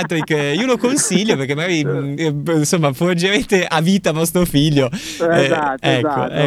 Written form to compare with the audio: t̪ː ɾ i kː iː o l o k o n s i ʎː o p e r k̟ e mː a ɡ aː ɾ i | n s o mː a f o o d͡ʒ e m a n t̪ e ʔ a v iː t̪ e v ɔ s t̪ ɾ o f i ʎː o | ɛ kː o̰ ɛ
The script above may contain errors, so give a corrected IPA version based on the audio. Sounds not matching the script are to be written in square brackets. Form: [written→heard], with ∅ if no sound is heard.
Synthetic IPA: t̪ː ɾ i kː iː o l o k o n s i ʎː o p e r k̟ e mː a ɡ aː ɾ i | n s o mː a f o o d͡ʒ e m [a→e] n t̪ e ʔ a v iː t̪ [e→a] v ɔ s t̪ ɾ o f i ʎː o | ɛ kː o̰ ɛ